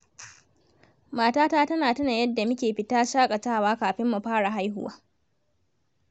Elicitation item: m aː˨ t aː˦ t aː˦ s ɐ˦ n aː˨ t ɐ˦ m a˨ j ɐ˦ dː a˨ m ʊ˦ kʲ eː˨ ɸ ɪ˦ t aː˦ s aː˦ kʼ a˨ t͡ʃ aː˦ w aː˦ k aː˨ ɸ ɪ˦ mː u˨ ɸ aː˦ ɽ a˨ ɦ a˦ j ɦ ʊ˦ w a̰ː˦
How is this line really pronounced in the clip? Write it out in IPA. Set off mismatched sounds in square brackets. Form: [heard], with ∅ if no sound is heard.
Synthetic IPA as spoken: m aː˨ t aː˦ t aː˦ [t] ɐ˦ n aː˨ t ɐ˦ [n] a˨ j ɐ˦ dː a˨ m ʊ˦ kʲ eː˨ ɸ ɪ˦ t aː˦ [ʃ] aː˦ kʼ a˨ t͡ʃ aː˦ w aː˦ k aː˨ ɸ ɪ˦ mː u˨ ɸ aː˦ ɽ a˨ ɦ a˦ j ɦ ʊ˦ w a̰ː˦

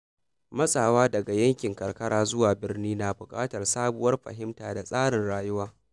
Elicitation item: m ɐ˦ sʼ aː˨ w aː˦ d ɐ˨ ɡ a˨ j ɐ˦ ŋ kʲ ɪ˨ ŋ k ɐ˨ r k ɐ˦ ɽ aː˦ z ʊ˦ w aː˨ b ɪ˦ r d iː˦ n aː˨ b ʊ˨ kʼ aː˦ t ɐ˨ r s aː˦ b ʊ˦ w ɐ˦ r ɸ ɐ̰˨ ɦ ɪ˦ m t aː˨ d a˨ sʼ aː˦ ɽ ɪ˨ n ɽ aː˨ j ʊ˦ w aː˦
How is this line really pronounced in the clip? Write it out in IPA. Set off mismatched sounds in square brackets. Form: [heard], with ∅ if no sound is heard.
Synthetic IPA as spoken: m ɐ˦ sʼ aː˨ w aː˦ d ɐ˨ ɡ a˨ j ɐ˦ ŋ kʲ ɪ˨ ŋ k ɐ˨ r k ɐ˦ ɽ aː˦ z ʊ˦ w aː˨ b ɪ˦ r [n] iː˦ n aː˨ b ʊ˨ kʼ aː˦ t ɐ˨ r s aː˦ b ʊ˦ w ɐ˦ r ɸ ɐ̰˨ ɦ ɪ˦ m t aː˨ d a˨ sʼ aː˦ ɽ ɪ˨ n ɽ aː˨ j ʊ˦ w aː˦

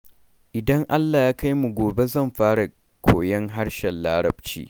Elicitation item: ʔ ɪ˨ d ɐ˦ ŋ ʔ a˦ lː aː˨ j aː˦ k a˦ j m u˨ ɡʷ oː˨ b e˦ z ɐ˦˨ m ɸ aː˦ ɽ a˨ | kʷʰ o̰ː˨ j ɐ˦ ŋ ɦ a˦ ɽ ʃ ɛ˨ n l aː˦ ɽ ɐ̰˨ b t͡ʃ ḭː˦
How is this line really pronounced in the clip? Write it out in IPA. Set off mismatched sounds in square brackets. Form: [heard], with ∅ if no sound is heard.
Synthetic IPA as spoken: ʔ ɪ˨ d ɐ˦ ŋ ʔ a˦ lː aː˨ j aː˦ k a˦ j m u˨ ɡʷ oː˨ b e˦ z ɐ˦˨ m ɸ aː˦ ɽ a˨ | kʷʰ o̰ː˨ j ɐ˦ ŋ ɦ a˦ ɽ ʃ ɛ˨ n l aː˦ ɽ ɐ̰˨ b t͡ʃ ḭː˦

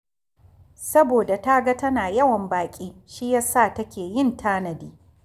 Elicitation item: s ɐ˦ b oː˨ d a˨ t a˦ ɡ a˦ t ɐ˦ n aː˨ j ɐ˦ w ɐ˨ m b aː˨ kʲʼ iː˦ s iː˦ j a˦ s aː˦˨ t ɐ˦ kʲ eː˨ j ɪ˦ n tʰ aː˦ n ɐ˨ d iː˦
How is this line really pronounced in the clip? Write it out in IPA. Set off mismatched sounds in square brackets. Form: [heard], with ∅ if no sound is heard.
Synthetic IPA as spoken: s ɐ˦ b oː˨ d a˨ t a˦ ɡ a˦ t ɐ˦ n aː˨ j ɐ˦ w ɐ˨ m b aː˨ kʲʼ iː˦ [ʃ] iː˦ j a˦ s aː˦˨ t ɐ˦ kʲ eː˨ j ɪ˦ n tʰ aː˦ n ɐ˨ d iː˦

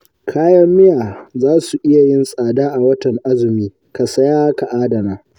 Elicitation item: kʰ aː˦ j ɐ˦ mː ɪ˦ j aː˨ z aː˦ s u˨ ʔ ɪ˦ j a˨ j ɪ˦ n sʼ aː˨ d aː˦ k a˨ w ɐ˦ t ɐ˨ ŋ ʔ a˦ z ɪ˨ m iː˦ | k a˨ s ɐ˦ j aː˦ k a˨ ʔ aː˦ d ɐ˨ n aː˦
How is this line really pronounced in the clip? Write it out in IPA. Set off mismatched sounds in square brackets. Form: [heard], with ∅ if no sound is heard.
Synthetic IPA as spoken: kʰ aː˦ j ɐ˦ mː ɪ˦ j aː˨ z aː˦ s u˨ ʔ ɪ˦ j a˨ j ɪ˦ n sʼ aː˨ d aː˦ [ʔ] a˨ w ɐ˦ t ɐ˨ ŋ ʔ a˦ z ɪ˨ m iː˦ | k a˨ s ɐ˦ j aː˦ k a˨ ʔ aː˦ d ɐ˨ n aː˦

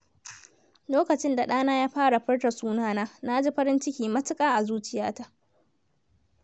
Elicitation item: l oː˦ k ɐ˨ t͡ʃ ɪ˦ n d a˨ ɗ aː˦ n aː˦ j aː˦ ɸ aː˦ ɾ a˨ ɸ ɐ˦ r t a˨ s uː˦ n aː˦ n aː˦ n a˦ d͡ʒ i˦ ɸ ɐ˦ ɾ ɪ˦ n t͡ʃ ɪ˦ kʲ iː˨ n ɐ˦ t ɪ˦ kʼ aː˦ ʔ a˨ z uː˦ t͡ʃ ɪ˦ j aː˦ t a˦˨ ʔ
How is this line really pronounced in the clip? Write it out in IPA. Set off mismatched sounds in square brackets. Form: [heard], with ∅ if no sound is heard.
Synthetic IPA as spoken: l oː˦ k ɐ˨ t͡ʃ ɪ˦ n d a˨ ɗ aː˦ n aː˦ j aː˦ ɸ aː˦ [ɽ] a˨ ɸ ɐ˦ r t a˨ s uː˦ n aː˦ n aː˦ n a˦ d͡ʒ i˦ ɸ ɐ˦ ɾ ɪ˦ n t͡ʃ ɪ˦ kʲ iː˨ [m] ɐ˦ t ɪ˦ kʼ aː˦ ʔ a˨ z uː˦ t͡ʃ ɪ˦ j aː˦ t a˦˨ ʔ

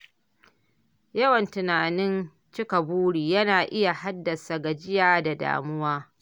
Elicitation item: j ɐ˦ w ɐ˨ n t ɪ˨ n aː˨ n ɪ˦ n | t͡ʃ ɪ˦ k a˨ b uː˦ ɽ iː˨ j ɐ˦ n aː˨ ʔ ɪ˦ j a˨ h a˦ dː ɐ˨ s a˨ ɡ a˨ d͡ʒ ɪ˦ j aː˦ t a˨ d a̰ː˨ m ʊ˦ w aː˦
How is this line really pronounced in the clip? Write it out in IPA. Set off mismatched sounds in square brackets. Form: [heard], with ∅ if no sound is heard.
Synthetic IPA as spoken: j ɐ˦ w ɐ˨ n t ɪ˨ n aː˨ n ɪ˦ n | t͡ʃ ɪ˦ k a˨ b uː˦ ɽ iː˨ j ɐ˦ n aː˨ ʔ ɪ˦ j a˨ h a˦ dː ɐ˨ s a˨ ɡ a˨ d͡ʒ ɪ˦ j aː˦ [d] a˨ d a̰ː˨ m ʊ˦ w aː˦

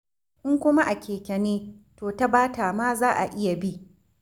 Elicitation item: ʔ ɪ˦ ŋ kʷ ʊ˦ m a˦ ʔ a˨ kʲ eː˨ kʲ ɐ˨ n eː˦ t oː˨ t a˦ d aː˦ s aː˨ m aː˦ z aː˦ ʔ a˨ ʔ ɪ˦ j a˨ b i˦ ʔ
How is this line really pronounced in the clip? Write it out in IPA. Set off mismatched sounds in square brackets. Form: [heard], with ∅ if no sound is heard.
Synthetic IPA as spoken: ʔ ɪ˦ ŋ kʷ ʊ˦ m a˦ ʔ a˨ kʲ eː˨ kʲ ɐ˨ n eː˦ t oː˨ t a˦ [b] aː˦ [t] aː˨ m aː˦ z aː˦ ʔ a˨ ʔ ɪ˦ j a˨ b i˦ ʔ

